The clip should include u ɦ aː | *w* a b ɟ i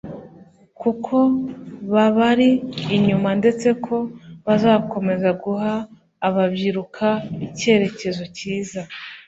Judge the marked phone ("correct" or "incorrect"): incorrect